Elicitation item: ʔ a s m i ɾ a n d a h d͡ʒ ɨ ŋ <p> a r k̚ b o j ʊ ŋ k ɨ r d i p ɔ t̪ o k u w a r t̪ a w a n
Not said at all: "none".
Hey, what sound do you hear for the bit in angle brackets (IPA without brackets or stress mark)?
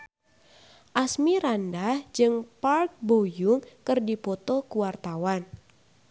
p